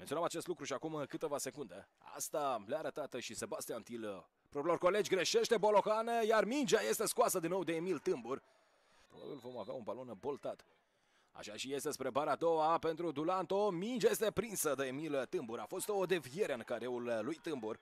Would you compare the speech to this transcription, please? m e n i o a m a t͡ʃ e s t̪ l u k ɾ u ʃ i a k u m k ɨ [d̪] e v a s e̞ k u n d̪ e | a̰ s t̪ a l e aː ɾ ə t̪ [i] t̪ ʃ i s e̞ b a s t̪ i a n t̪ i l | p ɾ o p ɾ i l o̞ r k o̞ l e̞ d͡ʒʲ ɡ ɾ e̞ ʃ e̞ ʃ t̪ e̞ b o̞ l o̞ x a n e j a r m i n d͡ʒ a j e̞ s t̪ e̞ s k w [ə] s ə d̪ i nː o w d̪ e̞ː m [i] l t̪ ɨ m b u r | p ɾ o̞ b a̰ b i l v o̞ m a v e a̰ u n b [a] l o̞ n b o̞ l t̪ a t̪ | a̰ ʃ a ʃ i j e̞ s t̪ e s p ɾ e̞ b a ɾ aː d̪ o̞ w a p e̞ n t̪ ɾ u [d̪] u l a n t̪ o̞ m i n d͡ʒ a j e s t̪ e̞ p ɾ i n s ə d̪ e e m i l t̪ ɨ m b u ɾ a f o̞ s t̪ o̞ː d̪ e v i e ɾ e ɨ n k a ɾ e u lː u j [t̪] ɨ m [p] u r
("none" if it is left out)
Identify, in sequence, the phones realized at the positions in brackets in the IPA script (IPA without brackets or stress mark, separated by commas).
t̪, a, a, i, a, d̪, t̪, b